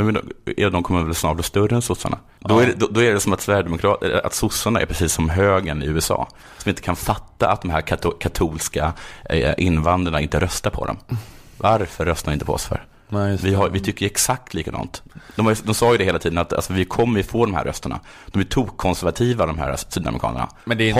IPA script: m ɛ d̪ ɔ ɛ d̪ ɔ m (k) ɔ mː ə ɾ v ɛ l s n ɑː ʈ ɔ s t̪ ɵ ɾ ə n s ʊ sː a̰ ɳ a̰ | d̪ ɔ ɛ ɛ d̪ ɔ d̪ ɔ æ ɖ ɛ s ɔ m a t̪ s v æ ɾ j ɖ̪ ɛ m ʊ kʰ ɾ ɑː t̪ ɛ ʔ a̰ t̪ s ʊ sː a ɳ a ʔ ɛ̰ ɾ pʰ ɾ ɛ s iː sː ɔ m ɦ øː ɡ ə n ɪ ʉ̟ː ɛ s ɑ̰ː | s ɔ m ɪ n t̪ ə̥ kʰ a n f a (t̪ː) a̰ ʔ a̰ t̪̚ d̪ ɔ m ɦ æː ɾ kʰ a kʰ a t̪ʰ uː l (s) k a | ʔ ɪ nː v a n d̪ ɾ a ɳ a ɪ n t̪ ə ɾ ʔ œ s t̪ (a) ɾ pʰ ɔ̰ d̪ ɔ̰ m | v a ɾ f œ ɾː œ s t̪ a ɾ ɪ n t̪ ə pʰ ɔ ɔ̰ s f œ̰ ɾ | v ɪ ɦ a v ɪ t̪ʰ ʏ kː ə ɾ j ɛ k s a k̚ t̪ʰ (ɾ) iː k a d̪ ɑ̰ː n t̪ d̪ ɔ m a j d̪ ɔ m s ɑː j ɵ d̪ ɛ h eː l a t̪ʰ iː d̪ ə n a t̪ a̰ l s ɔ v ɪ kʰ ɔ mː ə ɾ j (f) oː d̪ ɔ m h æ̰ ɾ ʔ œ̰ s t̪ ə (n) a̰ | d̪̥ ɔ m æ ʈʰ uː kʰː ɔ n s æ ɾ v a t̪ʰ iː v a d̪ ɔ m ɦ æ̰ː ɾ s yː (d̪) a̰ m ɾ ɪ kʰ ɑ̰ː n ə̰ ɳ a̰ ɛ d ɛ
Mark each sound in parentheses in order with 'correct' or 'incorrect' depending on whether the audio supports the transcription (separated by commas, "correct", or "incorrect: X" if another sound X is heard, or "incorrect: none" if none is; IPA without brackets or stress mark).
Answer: incorrect: kʰ, correct, correct, correct, incorrect: l, correct, incorrect: ɳ, correct